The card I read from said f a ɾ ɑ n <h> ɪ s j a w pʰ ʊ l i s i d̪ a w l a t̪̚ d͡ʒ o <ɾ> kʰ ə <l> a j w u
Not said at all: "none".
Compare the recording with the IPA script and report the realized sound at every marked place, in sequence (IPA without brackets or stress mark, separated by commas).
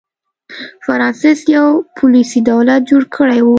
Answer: s, ɽ, ɽ